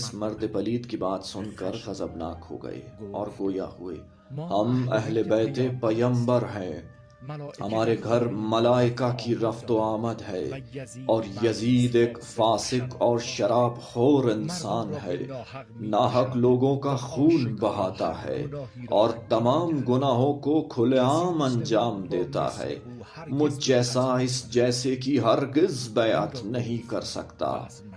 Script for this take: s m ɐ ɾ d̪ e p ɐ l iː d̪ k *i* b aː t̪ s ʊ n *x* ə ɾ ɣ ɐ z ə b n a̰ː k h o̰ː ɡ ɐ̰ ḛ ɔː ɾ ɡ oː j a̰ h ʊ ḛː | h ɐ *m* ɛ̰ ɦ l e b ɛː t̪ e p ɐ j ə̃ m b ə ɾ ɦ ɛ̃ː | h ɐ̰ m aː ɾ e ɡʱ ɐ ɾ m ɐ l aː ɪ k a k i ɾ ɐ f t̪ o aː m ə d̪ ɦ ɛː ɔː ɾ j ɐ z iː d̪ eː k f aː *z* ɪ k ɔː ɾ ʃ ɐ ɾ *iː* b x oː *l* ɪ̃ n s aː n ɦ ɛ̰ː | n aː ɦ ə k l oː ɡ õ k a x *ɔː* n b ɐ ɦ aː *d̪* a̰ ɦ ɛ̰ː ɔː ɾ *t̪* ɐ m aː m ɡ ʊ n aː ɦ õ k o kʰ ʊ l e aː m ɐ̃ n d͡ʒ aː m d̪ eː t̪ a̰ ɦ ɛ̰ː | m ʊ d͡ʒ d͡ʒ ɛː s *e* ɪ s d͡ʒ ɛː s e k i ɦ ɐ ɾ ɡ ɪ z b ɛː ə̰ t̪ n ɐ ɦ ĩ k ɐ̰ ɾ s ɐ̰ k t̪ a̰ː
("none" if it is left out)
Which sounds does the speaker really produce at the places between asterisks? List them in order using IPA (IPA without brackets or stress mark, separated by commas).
i, k, m, s, aː, ɾ, uː, t̪, t̪, a